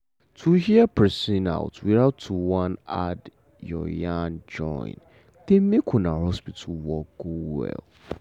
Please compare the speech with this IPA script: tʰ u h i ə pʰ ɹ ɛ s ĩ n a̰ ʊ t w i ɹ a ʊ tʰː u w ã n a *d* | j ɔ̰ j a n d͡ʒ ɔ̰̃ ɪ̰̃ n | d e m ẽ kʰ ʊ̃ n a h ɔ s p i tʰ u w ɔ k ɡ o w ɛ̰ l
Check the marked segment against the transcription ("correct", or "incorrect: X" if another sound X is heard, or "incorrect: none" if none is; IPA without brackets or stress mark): correct